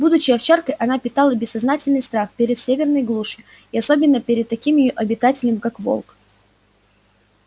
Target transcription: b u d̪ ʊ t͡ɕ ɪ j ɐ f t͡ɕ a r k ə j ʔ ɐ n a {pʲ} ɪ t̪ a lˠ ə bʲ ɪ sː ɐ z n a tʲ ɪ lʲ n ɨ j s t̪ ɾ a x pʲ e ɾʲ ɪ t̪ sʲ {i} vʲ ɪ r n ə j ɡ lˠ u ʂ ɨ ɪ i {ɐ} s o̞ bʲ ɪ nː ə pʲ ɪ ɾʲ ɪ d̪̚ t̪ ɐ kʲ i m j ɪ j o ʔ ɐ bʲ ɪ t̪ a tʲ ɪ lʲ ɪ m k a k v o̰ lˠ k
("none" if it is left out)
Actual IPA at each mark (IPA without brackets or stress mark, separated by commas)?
pʲ, e, ɐ